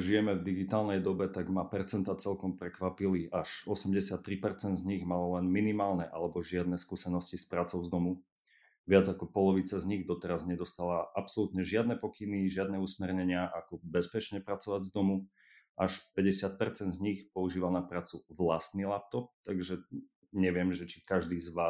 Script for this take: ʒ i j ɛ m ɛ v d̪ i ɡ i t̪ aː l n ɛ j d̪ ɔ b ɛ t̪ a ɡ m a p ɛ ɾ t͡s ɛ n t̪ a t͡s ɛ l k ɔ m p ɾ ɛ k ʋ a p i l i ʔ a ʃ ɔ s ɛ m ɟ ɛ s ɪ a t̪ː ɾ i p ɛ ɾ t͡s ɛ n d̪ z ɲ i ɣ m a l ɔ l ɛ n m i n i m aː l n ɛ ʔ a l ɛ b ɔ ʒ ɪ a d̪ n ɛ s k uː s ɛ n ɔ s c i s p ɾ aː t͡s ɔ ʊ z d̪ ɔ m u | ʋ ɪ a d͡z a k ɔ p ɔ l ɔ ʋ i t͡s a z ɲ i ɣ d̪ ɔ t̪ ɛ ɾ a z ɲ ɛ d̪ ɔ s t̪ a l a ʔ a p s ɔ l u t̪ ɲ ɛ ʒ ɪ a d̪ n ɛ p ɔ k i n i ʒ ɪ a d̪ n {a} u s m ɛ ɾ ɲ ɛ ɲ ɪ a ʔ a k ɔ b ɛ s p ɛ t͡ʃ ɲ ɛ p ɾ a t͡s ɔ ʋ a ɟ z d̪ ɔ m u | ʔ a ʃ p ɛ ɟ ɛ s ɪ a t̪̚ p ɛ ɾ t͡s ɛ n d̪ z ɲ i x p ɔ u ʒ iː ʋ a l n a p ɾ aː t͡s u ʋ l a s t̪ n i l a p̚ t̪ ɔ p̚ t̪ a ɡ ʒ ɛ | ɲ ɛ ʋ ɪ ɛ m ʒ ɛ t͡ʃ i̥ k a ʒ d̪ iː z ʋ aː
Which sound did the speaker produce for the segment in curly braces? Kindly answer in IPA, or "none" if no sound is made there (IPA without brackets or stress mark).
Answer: ɛ